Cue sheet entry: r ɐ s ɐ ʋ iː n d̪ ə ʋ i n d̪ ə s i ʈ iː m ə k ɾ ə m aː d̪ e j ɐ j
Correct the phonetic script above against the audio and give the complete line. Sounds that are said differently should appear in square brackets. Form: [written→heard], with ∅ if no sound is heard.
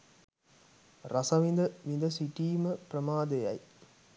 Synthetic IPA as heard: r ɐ s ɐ ʋ [iː→i] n d̪ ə ʋ i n d̪ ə s i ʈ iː m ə [k→p] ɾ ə m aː d̪ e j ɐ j